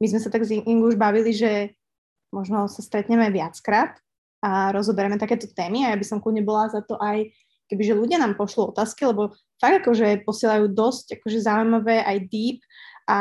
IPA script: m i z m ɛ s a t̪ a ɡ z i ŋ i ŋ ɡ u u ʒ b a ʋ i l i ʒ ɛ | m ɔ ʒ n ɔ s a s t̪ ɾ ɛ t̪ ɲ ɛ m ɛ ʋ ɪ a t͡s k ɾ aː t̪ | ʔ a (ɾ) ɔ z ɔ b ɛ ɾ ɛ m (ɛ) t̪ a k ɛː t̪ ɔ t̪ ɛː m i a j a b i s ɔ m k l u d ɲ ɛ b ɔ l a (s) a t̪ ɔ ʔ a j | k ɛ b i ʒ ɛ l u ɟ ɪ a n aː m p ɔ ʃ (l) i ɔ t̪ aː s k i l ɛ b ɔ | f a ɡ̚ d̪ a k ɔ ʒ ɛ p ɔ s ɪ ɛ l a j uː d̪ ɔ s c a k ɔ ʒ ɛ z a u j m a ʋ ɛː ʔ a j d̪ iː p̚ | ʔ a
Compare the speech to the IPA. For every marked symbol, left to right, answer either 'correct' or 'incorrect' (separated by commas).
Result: correct, correct, incorrect, correct